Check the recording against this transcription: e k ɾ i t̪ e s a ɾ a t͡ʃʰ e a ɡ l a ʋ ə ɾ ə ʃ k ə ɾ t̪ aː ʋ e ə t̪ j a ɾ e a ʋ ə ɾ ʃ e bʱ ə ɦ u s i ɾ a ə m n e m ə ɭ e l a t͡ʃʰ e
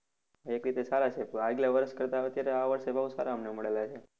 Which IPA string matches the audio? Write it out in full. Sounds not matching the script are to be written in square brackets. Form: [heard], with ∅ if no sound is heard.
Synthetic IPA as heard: e k ɾ i t̪ e s a ɾ a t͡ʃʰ e a ɡ l a ʋ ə ɾ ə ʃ k ə ɾ t̪ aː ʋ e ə t̪ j a ɾ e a ʋ ə ɾ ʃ e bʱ ə ɦ u s [a] ɾ a ə m n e m ə ɭ e l a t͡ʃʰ e